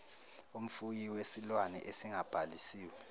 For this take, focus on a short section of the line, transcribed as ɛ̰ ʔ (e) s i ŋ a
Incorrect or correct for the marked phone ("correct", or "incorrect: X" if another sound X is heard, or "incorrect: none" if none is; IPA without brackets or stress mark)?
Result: correct